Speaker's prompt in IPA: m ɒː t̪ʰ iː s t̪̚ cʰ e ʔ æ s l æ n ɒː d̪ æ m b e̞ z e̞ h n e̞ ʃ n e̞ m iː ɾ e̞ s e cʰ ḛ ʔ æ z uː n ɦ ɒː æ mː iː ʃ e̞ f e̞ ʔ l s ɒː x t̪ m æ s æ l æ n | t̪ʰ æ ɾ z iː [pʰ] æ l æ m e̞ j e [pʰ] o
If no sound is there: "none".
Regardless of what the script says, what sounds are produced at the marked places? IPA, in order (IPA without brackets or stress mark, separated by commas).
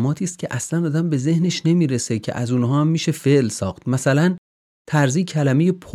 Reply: cʰ, pʰ